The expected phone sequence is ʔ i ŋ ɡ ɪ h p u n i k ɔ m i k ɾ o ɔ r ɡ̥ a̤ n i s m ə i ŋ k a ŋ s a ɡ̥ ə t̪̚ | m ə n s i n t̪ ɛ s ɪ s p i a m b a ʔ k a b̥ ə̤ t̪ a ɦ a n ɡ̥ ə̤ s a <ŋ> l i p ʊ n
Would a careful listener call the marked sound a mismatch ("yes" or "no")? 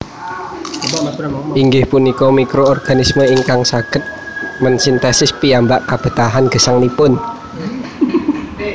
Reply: no